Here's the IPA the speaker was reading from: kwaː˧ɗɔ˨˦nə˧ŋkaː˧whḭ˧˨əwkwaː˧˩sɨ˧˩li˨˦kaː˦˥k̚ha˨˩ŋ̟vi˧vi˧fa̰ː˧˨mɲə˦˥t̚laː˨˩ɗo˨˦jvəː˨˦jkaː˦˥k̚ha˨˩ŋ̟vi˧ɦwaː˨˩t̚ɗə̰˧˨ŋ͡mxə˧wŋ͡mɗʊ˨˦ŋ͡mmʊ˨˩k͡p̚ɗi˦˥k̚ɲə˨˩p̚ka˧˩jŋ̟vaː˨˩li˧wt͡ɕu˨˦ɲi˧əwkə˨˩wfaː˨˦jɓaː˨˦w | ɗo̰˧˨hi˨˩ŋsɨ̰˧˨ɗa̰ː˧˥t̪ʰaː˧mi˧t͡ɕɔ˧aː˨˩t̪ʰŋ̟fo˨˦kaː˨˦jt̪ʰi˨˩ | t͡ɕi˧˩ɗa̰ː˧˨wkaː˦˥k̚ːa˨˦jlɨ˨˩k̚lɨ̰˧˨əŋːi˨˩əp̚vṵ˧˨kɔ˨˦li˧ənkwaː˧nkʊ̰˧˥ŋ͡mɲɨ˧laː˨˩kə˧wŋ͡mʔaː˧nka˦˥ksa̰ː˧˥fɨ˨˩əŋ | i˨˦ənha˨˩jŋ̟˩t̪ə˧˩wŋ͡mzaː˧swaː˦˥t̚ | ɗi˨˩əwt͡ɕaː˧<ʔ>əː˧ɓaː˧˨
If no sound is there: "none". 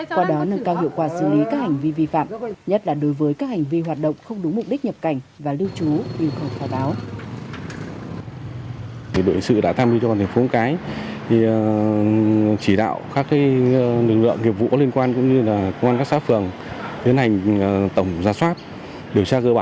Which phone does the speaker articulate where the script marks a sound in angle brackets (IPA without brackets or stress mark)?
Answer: k